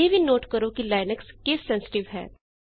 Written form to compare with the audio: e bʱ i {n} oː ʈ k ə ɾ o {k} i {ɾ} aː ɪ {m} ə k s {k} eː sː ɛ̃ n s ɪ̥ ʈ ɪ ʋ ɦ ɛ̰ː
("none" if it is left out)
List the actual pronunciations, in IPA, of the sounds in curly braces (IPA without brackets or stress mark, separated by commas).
n, k, l, n, k